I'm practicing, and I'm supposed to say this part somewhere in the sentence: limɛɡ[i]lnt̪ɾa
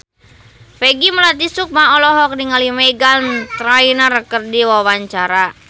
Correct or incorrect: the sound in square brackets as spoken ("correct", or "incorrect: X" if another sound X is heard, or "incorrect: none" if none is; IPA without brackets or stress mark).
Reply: incorrect: a